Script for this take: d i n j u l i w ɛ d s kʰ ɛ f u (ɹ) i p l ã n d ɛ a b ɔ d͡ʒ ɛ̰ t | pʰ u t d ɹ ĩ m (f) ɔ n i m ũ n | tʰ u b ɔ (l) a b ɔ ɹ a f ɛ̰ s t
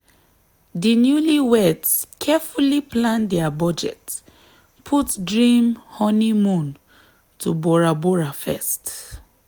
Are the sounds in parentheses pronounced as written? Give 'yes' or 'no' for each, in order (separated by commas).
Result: no, no, no